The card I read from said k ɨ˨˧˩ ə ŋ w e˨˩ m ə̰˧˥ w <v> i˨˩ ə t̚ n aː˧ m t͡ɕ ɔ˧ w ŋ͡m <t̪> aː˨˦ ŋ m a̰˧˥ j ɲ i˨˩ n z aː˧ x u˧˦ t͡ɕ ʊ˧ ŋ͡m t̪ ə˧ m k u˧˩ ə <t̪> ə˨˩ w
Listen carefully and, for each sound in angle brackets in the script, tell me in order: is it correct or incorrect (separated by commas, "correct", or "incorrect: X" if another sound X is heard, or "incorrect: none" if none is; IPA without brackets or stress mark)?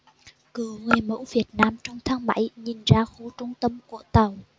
correct, incorrect: t̪ʰ, correct